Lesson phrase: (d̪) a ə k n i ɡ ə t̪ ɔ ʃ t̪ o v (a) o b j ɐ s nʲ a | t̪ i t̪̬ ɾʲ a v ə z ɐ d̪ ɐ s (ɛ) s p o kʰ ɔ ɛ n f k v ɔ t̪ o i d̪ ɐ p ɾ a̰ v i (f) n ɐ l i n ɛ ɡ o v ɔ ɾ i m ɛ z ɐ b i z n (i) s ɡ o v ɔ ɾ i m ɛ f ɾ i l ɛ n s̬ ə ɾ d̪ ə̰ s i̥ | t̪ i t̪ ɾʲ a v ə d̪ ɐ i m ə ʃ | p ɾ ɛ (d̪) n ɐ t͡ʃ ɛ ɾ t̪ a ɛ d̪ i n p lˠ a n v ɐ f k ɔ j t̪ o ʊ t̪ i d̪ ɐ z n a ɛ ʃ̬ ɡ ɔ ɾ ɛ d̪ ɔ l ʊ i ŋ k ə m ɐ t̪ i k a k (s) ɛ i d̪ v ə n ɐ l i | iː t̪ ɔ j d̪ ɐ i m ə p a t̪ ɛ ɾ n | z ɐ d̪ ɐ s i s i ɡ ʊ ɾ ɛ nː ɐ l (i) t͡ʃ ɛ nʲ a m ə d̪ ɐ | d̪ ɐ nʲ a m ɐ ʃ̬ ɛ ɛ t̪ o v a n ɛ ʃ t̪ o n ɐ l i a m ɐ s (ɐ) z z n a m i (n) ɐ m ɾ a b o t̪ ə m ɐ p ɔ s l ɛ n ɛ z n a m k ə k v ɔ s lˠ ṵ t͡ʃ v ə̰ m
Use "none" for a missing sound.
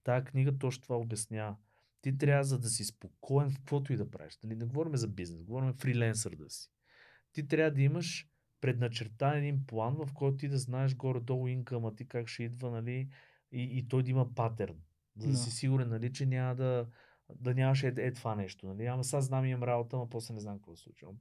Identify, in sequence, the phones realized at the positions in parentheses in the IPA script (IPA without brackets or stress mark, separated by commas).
t̪, a, i, ʃ, ɛ, d̪, ʃ, i, a, m